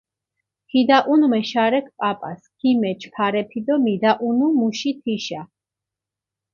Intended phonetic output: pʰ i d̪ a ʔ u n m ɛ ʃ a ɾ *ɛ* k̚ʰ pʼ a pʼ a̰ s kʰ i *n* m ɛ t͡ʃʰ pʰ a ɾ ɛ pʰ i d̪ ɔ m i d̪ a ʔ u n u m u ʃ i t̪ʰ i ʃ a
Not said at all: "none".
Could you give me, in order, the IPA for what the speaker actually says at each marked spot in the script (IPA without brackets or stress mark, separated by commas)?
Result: ɛ, none